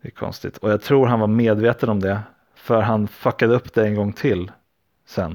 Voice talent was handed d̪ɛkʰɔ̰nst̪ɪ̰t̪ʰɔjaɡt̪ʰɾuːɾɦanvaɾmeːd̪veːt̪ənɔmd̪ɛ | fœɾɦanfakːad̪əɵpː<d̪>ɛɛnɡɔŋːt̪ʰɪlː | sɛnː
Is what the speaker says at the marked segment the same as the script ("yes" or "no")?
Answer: yes